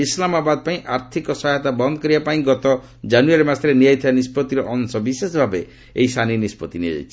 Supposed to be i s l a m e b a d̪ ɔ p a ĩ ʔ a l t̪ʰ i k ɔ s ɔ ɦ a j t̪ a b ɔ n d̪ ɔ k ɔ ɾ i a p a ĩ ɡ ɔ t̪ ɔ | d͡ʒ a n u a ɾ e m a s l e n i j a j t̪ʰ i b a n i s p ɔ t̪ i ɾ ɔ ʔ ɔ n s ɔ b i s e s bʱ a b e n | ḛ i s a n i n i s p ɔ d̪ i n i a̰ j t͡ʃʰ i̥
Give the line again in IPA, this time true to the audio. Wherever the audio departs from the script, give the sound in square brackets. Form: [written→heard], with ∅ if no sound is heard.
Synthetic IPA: i s l a m [e→a] b a d̪ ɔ p a ĩ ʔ a [l→ɾ] t̪ʰ i k ɔ s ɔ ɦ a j t̪ a b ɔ n d̪ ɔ k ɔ ɾ i a p a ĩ ɡ ɔ t̪ ɔ | d͡ʒ a n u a ɾ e m a s [l→ɾ] e n i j a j t̪ʰ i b a n i s p ɔ t̪ i ɾ ɔ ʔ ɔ n s ɔ b i s e s bʱ a b e [n→∅] | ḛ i s a n i n i s p ɔ [d̪→t̪] i n i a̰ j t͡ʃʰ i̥